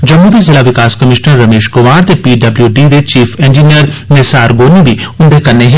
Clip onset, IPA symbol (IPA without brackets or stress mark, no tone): d͡ʒ